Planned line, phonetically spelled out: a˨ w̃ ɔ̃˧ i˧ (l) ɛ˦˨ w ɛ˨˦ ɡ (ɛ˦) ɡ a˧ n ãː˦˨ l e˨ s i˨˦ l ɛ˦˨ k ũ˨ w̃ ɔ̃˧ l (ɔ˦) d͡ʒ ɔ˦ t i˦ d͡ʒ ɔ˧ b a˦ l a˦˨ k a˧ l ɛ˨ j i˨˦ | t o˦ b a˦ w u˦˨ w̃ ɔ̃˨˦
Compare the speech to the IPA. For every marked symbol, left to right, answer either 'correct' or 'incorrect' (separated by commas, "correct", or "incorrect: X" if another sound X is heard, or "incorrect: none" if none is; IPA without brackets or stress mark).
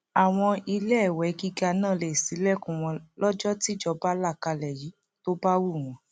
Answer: correct, incorrect: i˦, correct